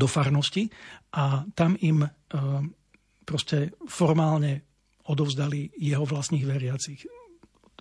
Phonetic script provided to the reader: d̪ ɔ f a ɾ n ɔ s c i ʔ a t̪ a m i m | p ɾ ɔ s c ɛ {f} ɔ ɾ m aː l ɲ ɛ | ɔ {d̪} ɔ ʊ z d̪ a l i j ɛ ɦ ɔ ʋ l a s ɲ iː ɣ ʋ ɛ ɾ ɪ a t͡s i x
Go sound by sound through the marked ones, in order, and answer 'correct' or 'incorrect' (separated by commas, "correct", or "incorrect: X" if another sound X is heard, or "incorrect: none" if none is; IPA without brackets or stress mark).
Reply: correct, correct